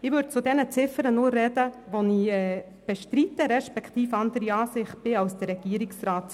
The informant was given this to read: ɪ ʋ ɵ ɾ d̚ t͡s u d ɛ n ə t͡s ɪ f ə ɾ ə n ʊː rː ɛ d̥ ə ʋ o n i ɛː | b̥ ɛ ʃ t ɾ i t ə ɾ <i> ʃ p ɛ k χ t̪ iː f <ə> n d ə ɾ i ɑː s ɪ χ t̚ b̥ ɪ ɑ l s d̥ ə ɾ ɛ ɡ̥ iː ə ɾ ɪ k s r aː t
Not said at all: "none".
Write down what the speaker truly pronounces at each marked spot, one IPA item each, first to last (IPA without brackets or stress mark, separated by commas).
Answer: ɛ, ɑ